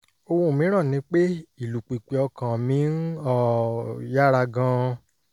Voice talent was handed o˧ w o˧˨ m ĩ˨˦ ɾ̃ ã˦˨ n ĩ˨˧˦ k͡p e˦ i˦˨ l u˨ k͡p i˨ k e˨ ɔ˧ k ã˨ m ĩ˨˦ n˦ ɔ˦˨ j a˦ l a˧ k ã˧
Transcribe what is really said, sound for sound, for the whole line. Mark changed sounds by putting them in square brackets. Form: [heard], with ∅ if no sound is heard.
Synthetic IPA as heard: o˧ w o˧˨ m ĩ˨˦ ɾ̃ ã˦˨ n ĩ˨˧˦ k͡p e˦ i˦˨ l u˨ k͡p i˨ [k͡p] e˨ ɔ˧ k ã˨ m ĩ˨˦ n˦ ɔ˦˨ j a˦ [ɾ] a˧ [ɡ] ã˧